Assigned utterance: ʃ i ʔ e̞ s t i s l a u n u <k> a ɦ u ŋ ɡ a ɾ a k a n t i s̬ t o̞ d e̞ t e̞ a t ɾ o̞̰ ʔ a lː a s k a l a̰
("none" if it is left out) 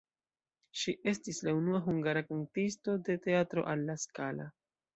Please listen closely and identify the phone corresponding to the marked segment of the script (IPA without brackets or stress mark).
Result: none